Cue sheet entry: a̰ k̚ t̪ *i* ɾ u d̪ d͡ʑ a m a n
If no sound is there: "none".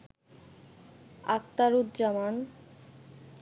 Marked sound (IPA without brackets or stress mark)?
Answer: a